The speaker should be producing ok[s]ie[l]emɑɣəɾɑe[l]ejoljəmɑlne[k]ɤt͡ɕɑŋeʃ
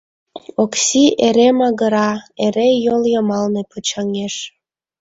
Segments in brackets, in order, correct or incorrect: correct, incorrect, incorrect, incorrect

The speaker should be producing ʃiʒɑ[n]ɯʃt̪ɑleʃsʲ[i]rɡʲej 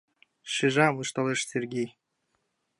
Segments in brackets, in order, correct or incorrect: incorrect, incorrect

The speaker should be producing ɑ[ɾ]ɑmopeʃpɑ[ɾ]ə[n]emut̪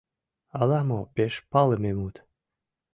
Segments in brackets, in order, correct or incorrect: incorrect, incorrect, incorrect

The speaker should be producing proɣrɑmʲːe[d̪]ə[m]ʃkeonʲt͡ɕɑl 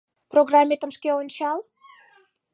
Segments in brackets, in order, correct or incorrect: incorrect, correct

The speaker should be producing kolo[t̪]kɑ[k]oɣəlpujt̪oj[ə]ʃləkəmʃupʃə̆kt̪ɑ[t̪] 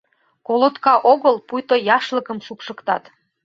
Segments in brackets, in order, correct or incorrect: correct, incorrect, incorrect, correct

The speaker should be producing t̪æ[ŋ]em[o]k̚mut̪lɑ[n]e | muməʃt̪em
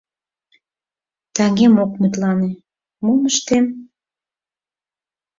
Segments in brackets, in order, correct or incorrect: correct, correct, correct

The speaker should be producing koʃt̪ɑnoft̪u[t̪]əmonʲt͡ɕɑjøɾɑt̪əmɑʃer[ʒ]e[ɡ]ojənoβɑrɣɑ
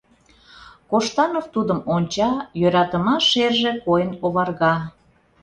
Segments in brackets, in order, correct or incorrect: incorrect, correct, incorrect

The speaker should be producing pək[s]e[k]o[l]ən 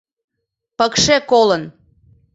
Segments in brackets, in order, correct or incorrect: incorrect, correct, correct

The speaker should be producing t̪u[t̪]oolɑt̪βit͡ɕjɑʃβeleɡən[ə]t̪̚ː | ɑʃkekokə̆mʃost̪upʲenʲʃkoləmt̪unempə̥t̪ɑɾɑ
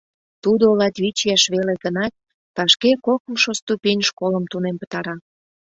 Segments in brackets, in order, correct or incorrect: incorrect, incorrect

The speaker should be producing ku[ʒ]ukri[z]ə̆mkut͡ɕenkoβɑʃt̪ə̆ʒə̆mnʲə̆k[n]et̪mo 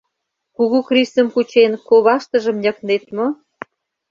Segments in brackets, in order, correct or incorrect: incorrect, incorrect, correct

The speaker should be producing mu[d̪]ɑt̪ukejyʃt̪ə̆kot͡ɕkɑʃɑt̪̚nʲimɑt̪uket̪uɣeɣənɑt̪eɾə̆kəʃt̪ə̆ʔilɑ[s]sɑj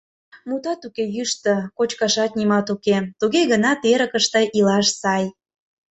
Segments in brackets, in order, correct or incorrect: incorrect, incorrect

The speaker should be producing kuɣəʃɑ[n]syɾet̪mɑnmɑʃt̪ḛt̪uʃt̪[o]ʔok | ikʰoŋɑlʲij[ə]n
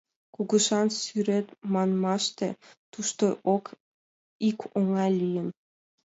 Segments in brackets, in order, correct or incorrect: correct, correct, correct

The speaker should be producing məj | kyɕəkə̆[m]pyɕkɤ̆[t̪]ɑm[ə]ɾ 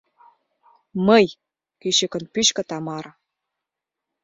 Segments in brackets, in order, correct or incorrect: incorrect, correct, incorrect

